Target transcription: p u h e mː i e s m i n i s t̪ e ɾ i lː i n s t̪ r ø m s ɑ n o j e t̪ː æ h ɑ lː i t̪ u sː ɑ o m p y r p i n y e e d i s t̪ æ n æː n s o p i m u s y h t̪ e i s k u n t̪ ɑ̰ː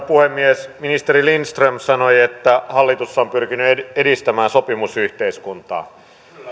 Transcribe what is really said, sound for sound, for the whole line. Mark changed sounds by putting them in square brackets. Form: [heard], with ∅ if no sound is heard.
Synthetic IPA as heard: p u h e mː i e s m i n i s t̪ e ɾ i [l] i n s t̪ r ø m s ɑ n o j e t̪ː æ h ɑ lː i t̪ u sː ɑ o m p y r [k] i n y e e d i s t̪ æ [m] æː n s o p i m u s y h t̪ e i s k u n t̪ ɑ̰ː